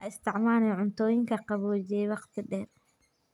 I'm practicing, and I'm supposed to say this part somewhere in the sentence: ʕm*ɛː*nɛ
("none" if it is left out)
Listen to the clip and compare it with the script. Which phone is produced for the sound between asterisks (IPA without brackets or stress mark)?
aː